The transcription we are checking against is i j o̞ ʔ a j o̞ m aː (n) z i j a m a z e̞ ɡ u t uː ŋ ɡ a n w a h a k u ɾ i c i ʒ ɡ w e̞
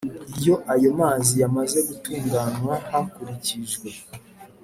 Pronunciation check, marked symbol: incorrect: none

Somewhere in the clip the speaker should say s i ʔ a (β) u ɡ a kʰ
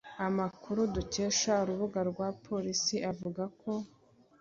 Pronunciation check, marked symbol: incorrect: v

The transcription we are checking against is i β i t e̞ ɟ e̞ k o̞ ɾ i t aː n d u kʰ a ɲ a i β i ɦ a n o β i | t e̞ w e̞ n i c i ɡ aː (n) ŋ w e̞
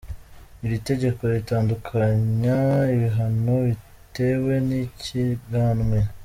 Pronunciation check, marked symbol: correct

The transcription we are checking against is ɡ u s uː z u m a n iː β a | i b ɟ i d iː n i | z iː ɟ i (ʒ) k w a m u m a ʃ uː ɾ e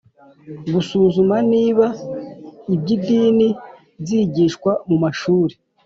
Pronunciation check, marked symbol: incorrect: ʃ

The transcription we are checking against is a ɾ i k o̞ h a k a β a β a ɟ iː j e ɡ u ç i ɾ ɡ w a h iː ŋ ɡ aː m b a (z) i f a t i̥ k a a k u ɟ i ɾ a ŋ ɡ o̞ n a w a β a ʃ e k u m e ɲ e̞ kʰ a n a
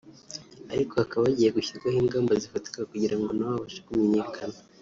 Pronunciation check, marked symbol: correct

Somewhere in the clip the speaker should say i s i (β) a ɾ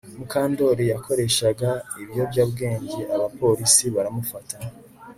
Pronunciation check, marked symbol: correct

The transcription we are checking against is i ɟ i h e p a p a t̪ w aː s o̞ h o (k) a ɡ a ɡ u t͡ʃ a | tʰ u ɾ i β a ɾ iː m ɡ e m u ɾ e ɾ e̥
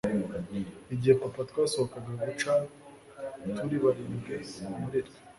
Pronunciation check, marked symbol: correct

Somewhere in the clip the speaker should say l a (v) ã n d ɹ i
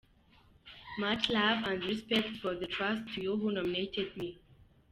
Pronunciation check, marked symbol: correct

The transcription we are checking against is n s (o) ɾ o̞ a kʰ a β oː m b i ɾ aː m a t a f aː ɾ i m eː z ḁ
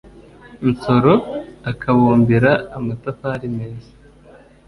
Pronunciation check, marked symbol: correct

